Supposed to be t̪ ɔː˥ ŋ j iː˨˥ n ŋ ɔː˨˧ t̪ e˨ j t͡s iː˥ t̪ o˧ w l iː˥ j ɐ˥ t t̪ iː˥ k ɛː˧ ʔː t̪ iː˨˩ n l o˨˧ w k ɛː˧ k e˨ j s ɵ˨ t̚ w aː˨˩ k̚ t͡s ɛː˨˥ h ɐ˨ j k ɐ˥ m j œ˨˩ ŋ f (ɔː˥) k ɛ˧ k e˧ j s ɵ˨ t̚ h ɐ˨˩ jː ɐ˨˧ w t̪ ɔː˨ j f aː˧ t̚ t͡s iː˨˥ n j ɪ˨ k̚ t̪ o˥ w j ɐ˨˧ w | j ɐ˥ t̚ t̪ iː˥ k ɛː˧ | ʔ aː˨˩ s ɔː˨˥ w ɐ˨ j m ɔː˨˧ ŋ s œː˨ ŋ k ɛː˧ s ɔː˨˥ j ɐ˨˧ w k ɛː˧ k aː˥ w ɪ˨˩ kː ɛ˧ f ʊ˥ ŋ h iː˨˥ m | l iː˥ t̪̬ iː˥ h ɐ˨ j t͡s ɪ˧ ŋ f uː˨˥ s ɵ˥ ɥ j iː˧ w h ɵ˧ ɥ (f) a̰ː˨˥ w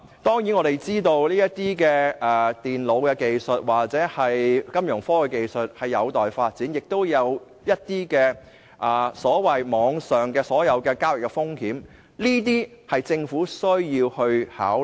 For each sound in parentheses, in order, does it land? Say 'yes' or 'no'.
yes, no

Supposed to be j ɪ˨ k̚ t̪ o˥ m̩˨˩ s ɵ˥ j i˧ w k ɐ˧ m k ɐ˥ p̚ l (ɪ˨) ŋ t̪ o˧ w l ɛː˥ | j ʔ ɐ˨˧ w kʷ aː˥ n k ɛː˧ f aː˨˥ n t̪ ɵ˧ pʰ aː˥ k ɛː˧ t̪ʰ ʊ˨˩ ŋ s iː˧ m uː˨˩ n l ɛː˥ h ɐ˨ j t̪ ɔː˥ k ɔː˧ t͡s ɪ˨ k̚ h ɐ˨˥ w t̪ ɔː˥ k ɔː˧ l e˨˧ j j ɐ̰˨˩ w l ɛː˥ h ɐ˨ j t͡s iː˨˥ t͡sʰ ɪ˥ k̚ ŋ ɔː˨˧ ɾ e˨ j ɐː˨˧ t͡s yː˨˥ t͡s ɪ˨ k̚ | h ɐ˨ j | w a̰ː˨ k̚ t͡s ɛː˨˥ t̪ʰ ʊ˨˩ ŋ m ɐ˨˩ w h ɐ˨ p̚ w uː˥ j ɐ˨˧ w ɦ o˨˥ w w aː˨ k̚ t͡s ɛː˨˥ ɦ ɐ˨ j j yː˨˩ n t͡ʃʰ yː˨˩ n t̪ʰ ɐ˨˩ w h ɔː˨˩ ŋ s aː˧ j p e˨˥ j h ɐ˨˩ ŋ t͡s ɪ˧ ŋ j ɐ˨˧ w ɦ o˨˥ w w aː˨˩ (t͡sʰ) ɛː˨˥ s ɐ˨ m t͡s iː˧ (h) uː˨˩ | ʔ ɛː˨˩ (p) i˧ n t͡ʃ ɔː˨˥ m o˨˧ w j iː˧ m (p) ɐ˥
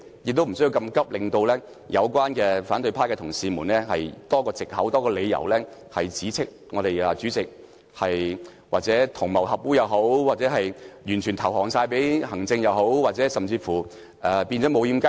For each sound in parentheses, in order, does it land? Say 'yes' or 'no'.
yes, no, no, yes, no

